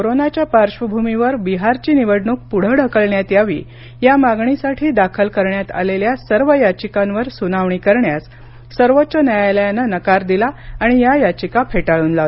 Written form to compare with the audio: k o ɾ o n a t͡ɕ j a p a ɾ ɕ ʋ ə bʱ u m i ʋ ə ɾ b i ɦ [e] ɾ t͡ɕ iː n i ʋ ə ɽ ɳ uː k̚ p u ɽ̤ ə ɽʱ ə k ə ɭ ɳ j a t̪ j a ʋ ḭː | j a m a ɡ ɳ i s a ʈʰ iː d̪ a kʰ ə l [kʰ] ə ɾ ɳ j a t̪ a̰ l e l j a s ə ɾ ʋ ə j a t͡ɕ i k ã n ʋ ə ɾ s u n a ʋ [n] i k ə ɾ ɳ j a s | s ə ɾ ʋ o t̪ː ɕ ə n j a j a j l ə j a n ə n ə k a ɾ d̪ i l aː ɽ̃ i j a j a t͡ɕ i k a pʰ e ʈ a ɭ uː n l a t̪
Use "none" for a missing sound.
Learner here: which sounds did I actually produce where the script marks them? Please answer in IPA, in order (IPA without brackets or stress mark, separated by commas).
a, k, ɳ